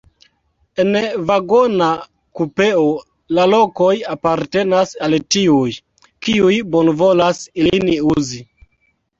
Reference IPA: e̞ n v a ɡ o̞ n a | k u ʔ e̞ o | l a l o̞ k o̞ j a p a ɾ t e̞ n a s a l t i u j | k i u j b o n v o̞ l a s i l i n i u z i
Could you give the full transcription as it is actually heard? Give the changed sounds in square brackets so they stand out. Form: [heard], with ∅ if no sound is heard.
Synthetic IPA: e̞ n v a ɡ o̞ n a | k u [p] e̞ o | l a l o̞ k o̞ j a p a ɾ t e̞ n a s a l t i u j | k i u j b o n v o̞ l a s i l i n i u z i